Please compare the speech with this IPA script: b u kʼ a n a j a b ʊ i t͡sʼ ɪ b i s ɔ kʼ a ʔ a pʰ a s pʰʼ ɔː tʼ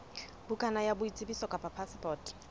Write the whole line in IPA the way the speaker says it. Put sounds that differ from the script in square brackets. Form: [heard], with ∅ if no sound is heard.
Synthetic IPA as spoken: b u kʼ a n a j a b ʊ i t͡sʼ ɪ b i s ɔ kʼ a [p] a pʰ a s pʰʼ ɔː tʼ